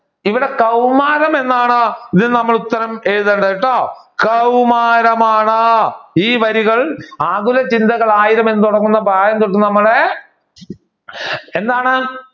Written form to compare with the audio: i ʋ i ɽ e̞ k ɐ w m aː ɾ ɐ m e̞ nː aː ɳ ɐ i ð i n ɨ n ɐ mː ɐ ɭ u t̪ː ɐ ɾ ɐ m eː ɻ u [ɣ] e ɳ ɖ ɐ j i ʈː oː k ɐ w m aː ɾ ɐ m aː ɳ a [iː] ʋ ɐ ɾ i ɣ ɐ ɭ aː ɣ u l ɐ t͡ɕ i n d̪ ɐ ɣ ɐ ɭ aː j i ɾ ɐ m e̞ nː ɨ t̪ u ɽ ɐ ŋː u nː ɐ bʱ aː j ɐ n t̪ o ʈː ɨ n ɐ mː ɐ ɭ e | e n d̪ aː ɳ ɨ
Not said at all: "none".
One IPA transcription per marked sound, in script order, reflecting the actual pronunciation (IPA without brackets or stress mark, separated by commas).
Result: ð, iː